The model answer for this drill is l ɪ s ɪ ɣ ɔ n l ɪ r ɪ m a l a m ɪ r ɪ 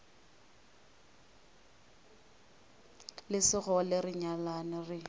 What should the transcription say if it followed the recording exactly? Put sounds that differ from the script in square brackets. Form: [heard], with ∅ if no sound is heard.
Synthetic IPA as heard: l ɪ s ɪ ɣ ɔ [∅] l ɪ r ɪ [ɲ] a l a [n] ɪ r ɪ